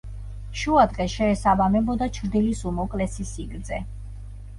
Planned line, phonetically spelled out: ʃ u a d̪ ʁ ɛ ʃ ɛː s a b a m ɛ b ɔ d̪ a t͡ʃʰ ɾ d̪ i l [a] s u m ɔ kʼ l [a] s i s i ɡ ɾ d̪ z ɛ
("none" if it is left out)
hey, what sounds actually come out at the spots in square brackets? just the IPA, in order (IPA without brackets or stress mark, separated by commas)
i, ɛ